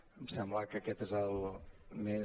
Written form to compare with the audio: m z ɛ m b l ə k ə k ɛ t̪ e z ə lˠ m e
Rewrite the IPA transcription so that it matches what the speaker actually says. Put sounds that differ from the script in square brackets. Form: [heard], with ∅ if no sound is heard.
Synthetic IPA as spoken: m [s] ɛ m b l ə k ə k ɛ t̪ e z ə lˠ m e